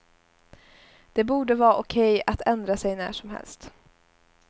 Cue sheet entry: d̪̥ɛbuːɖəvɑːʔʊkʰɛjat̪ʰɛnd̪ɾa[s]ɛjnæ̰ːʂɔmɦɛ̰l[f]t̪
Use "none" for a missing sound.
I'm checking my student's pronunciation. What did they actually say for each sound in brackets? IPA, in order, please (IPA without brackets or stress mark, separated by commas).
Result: s, s